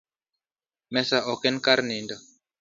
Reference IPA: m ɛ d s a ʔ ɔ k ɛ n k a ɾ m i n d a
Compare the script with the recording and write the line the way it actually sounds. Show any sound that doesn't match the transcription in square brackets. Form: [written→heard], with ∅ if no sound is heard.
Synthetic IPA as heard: m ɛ [d→∅] s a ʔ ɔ k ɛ n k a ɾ [m→n] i n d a

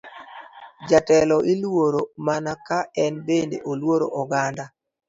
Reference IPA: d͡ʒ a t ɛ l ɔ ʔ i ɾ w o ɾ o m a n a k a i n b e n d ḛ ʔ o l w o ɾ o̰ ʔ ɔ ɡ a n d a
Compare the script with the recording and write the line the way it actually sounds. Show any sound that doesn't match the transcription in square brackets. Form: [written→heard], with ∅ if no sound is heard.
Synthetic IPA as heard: d͡ʒ a t ɛ l ɔ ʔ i [ɾ→l] w o ɾ o m a n a k a [i→ɛ] n b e n d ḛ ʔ o l w o ɾ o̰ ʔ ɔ ɡ a n d a

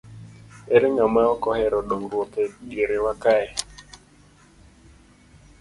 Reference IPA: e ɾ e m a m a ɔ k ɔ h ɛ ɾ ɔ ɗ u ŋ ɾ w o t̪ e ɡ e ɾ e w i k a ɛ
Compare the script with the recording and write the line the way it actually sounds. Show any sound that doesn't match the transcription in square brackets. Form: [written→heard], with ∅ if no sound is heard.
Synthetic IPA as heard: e ɾ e [m→ŋ] a m a ɔ k ɔ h ɛ ɾ ɔ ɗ [u→o] ŋ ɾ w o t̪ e ɡ e ɾ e w [i→a] k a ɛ

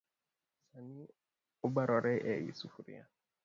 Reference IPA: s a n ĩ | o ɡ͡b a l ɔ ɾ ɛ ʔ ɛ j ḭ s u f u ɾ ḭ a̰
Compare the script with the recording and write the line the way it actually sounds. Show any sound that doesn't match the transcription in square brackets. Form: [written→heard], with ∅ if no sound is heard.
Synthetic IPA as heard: s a n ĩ | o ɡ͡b a [l→ɾ] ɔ ɾ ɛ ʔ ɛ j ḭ s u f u ɾ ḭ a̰

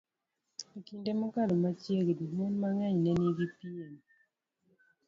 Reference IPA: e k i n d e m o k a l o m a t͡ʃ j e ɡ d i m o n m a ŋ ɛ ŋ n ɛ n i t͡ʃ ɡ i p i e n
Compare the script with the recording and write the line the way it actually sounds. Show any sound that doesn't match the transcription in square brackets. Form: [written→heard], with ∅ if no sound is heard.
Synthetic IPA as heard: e k i n d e m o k a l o m a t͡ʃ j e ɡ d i m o n m a ŋ ɛ [ŋ→ɲ] n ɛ n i [t͡ʃ→∅] ɡ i p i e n

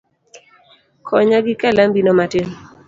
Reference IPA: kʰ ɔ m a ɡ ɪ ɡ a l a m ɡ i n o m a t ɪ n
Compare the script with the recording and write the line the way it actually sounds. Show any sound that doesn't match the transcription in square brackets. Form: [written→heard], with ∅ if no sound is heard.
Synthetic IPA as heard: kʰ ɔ [m→ɲ] a ɡ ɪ [ɡ→k] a l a m [ɡ→b] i n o m a t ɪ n

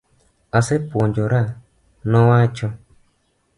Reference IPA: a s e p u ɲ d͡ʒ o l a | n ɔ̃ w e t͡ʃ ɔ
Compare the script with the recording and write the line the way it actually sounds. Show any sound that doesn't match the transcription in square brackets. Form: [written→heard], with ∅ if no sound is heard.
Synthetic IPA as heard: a s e p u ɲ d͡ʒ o [l→ɾ] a | n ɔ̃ w [e→a] t͡ʃ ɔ

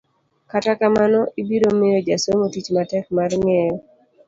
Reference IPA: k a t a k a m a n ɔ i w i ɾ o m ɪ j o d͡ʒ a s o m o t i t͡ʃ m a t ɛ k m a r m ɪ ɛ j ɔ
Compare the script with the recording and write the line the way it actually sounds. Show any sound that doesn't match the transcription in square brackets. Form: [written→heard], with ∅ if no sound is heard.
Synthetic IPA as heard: k a t a k a m a n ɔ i [w→b] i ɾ o m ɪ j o d͡ʒ a s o m o t i t͡ʃ m a t ɛ k m a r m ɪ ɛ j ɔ

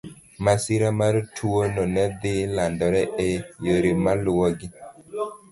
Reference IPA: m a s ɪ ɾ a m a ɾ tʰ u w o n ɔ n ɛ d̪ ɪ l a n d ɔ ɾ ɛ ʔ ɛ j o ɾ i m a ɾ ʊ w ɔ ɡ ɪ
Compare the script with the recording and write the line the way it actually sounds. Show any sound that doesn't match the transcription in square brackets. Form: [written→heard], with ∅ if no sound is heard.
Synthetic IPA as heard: m a s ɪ ɾ a m a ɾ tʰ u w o n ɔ n ɛ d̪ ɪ l a n d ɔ ɾ ɛ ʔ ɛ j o ɾ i m a [ɾ→l] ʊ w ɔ ɡ ɪ

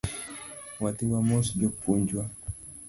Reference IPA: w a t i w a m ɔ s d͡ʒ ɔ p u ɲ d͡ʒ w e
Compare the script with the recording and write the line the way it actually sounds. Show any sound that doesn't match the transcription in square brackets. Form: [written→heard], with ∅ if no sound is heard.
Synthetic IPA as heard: w a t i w a m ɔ s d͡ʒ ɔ p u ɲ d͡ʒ w [e→a]

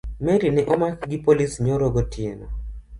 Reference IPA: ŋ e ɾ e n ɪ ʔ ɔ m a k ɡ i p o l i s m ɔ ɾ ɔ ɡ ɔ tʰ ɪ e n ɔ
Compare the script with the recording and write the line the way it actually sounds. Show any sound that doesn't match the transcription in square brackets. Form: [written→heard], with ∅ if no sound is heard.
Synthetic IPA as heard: [ŋ→m] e ɾ [e→i] n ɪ ʔ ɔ m a k ɡ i p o l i s [m→ɲ] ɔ ɾ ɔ ɡ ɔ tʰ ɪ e n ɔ

